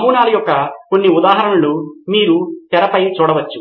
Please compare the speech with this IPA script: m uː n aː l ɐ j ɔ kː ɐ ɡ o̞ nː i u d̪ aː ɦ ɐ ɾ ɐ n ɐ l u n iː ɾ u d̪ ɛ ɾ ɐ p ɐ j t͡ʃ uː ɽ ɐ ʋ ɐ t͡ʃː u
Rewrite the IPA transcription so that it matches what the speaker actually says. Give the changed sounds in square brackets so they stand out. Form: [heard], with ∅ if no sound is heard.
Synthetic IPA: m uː n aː l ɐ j ɔ kː ɐ [k] o̞ nː i u d̪ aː ɦ ɐ ɾ ɐ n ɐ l u [m] iː ɾ u [t̪] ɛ ɾ ɐ p ɐ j t͡ʃ uː ɽ ɐ ʋ ɐ t͡ʃː u